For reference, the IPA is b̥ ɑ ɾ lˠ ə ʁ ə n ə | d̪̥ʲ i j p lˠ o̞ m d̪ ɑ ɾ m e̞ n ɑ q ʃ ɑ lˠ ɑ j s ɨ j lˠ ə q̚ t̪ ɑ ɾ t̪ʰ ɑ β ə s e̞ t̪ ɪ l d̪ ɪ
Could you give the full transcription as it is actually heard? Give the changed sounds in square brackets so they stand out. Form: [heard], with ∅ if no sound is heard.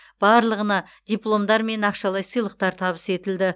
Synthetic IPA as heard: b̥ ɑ ɾ lˠ ə ʁ ə n [ɑ] | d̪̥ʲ i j p lˠ o̞ m d̪ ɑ ɾ m e̞ n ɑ q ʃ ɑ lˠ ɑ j s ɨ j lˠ ə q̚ t̪ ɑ ɾ t̪ʰ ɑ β ə s e̞ t̪ ɪ l d̪ ɪ